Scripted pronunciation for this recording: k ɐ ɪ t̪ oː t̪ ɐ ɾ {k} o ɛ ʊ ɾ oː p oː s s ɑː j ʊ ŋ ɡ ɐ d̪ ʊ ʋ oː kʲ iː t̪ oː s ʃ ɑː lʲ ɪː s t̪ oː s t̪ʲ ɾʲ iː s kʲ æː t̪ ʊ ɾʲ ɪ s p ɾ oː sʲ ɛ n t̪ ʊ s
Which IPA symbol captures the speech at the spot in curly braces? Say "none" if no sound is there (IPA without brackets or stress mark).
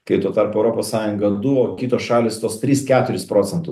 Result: p